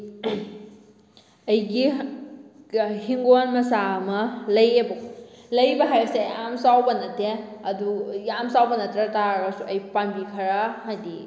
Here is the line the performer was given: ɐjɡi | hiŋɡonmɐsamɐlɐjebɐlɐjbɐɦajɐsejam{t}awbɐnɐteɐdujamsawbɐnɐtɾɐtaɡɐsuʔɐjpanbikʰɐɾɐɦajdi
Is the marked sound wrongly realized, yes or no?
yes